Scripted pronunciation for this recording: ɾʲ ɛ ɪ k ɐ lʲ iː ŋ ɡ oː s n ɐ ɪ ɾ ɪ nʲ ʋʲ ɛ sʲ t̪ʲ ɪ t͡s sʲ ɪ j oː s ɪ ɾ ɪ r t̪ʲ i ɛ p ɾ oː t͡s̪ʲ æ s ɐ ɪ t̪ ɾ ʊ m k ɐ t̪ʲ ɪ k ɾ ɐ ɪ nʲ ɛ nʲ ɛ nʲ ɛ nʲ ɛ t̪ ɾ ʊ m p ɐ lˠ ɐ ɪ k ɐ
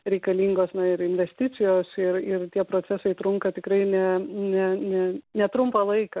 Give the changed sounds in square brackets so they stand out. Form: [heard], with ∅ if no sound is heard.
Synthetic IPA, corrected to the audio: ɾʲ ɛ ɪ k ɐ lʲ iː ŋ ɡ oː s n ɐ ɪ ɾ ɪ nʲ ʋʲ ɛ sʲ t̪ʲ ɪ t͡s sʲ ɪ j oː s ɪ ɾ ɪ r t̪ʲ i ɛ p ɾ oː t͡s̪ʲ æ s ɐ ɪ t̪ ɾ ʊ [ŋ] k ɐ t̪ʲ ɪ k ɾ ɐ ɪ nʲ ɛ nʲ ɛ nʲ ɛ nʲ ɛ t̪ ɾ ʊ m p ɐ lˠ ɐ ɪ k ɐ